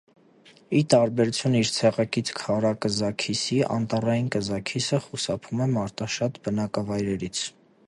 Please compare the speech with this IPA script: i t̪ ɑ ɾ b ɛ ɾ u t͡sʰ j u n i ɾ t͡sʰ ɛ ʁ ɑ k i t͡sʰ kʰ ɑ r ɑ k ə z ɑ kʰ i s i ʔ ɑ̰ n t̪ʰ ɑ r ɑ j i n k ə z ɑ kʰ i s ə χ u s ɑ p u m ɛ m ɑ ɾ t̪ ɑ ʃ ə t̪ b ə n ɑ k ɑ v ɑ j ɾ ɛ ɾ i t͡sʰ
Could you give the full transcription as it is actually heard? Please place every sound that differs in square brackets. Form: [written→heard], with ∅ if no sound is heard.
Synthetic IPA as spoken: i t̪ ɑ ɾ b ɛ ɾ u t͡sʰ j u n i ɾ t͡sʰ ɛ ʁ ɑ k i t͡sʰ kʰ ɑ [r→ɾ] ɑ k ə z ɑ kʰ i s i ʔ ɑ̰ n [t̪ʰ→t̪] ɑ r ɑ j i n k ə z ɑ kʰ i s ə χ u s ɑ [p→pʰ] u m ɛ m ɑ ɾ t̪ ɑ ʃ [ə→ɑ] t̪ b ə n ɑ k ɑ v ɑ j ɾ ɛ ɾ i t͡sʰ